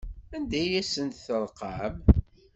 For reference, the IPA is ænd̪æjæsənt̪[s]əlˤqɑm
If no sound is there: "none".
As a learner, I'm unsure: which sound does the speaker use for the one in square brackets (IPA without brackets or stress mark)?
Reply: θ